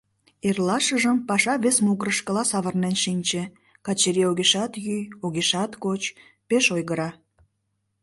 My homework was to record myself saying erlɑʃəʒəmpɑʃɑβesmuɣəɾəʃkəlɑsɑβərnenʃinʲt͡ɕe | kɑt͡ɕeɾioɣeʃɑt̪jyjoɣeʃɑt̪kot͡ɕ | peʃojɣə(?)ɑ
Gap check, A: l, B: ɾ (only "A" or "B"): B